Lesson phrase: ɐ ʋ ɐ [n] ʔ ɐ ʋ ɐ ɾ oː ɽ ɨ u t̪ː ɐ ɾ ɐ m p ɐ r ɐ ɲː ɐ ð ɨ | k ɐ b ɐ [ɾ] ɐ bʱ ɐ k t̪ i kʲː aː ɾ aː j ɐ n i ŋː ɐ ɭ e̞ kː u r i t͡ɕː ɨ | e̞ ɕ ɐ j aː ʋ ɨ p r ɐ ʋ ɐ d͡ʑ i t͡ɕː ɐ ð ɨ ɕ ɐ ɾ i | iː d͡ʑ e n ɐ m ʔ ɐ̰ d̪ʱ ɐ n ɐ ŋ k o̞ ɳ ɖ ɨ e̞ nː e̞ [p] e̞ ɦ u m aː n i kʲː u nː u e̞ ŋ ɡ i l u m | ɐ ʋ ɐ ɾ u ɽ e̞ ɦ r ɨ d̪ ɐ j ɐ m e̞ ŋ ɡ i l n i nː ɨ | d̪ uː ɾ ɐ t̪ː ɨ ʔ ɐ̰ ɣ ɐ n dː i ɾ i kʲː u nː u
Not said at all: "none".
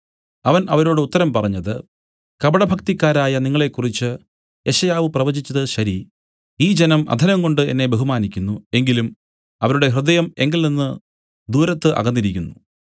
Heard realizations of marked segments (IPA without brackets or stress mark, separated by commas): n, ɽ, b